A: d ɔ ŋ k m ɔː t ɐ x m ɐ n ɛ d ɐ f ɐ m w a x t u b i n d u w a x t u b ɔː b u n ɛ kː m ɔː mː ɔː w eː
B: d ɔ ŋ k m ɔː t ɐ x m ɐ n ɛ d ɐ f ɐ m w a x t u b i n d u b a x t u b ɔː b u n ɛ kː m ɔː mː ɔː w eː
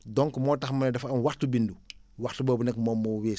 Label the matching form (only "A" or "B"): A